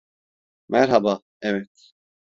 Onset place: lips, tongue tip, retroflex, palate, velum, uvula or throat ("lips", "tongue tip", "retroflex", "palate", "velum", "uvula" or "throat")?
lips